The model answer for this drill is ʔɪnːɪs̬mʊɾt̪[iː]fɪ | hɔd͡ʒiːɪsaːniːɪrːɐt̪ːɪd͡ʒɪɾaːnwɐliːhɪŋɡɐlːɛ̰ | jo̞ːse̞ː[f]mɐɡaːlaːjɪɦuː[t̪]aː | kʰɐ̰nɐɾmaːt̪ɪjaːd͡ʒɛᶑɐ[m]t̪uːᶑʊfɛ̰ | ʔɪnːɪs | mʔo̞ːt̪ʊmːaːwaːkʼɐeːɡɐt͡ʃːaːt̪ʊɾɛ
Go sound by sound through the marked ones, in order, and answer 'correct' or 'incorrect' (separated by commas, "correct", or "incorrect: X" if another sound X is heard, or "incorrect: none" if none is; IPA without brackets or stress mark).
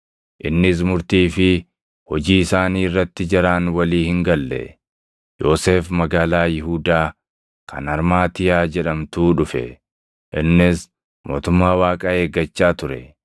correct, correct, incorrect: d̪, correct